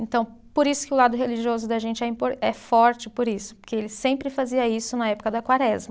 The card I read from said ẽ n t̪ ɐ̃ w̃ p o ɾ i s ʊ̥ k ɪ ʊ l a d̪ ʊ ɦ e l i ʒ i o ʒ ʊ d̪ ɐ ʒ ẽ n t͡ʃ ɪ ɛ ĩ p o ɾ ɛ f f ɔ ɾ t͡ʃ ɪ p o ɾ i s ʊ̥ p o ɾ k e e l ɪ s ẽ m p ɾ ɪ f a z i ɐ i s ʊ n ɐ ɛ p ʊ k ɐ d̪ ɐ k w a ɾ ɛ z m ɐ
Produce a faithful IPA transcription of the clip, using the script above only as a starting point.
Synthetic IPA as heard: ẽ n t̪ ɐ̃ w̃ p o ɾ i s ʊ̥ k ɪ ʊ l a d̪ ʊ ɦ e l i ʒ i o z ʊ d̪ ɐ ʒ ẽ n t͡ʃ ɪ ɛ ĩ p o ɾ ɛ f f ɔ ɾ t͡ʃ ɪ p o ɾ i s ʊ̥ p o ɾ k e e l ɪ s ẽ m p ɾ ɪ f a z i ɐ i s ʊ n ɐ ɛ p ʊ k ɐ d̪ ɐ k w a ɾ ɛ z m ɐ